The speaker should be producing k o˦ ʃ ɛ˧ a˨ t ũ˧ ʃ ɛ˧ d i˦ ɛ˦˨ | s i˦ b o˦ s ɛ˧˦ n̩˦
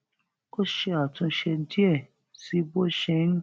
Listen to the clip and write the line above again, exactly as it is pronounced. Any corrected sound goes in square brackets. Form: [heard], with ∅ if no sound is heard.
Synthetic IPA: k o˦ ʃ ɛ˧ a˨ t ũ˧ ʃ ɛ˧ d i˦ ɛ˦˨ | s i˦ b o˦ [ʃ] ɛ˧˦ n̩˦